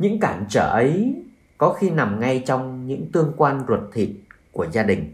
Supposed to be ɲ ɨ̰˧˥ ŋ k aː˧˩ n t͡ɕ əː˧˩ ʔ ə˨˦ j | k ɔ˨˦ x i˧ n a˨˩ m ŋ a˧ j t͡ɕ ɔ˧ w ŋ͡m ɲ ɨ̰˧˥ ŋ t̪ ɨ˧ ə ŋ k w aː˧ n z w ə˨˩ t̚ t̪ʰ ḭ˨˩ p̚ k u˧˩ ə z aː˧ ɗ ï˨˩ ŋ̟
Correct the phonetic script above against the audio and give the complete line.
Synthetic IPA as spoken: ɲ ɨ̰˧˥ ŋ k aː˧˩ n t͡ɕ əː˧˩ ʔ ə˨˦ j | k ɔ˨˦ x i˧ n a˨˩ m ŋ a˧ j t͡ɕ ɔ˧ w ŋ͡m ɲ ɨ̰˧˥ ŋ t̪ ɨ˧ ə ŋ k w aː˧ n z w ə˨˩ t̚ t̪ʰ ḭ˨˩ t̚ k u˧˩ ə z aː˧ ɗ ï˨˩ ŋ̟